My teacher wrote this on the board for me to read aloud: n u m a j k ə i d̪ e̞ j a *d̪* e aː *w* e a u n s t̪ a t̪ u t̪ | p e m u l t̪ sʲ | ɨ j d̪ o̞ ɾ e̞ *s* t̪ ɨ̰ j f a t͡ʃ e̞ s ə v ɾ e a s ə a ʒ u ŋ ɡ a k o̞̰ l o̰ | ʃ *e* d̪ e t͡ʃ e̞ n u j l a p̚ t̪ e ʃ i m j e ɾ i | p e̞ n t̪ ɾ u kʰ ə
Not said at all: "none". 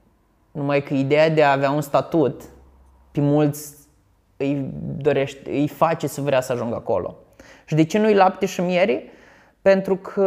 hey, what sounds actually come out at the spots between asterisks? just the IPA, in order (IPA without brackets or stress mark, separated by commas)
d̪, v, ʃ, i